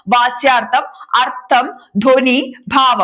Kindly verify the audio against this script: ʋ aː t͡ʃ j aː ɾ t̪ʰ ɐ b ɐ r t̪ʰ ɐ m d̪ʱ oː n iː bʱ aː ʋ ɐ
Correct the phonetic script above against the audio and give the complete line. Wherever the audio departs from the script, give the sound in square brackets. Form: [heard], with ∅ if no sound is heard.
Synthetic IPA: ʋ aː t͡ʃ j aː ɾ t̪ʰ ɐ [m] ɐ [ɾ] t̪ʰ ɐ m d̪ʱ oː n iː bʱ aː ʋ ɐ